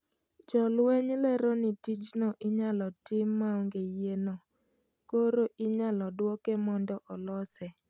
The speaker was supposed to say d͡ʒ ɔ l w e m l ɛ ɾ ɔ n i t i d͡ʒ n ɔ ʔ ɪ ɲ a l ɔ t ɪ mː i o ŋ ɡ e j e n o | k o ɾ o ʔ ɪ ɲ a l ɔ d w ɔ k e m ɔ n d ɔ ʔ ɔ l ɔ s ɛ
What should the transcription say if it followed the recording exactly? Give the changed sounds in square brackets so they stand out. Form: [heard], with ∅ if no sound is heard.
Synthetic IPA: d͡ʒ ɔ l w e [ɲ] l ɛ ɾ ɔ n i t i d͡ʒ n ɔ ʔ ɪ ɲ a l ɔ t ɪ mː [a] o ŋ ɡ e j e n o | k o ɾ o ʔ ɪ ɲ a l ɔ d w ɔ k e m ɔ n d ɔ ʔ ɔ l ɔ s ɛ